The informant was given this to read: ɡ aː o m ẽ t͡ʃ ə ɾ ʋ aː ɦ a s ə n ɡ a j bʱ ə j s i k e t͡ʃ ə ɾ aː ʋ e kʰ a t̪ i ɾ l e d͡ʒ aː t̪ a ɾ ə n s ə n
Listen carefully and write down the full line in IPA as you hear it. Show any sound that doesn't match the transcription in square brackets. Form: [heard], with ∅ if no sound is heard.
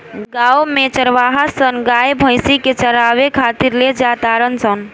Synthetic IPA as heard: ɡ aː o m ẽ t͡ʃ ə ɾ ʋ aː ɦ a s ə n ɡ a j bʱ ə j s i k e t͡ʃ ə ɾ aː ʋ e kʰ a t̪ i ɾ l e d͡ʒ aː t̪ a ɾ ə n s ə n